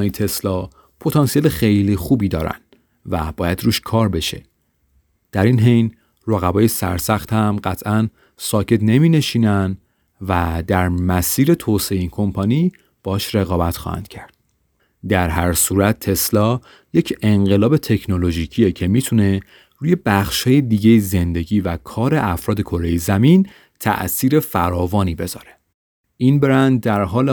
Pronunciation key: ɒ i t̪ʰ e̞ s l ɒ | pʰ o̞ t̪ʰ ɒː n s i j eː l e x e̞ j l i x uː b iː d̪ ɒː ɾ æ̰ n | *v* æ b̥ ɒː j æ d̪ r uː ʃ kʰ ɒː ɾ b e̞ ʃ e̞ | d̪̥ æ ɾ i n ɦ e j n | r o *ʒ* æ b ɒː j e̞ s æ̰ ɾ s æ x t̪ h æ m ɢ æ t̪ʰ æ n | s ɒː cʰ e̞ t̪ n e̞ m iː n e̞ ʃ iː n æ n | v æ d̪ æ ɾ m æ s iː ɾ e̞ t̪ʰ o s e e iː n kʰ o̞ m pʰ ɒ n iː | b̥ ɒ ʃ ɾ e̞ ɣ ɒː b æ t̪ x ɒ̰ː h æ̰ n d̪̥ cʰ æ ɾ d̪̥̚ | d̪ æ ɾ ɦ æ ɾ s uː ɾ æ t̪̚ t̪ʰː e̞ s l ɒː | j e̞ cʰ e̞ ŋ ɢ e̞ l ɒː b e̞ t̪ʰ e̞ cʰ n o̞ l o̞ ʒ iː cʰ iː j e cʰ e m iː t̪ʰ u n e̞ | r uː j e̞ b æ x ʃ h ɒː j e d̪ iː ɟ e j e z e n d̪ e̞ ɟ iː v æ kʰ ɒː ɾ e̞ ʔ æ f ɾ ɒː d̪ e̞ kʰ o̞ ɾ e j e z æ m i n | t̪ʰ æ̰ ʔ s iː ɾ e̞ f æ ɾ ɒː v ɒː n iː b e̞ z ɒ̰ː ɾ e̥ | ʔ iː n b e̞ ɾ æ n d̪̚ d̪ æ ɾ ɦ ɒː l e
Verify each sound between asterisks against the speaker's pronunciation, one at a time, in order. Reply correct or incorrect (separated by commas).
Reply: correct, incorrect